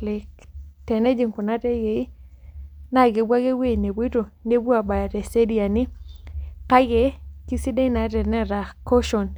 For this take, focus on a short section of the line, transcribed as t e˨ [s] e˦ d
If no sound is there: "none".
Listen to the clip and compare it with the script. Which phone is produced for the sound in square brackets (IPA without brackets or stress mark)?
s